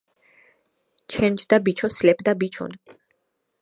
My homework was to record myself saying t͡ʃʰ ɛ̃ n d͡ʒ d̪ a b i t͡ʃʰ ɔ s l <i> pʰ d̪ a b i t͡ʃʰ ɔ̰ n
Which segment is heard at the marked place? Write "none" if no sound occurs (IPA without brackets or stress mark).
ɛ